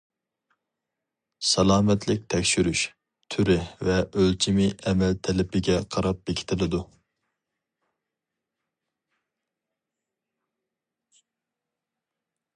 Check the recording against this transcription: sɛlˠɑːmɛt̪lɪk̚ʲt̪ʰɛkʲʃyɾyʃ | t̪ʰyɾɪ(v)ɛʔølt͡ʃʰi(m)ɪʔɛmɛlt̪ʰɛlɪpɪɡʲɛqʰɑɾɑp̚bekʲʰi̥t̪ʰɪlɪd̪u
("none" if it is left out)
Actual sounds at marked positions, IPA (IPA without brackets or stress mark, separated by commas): v, m